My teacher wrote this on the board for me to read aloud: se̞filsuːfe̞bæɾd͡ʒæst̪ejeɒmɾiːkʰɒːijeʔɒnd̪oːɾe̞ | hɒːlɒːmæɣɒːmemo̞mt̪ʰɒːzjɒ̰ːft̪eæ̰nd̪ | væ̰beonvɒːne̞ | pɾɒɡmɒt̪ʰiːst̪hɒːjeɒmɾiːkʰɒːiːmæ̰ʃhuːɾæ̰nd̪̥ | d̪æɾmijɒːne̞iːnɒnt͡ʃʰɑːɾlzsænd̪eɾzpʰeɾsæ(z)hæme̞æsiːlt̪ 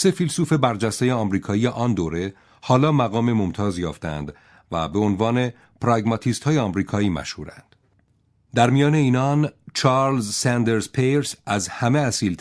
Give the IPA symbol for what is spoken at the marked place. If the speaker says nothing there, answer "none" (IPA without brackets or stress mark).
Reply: z